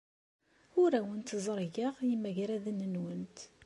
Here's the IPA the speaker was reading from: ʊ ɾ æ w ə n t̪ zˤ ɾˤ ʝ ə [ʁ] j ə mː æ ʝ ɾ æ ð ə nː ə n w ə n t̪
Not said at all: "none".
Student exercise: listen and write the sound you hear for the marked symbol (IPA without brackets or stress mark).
ʁ